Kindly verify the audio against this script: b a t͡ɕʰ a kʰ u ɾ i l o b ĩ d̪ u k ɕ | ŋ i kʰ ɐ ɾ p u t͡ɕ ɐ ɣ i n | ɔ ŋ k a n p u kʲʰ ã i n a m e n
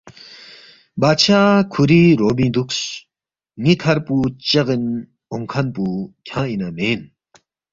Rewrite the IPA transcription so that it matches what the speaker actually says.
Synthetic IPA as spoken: b a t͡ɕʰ a kʰ u ɾ i ɾ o b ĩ d̪ u k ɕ | ŋ i kʰ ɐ ɾ p u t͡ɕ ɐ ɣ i n | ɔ ŋ kʰ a n p u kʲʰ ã i n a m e n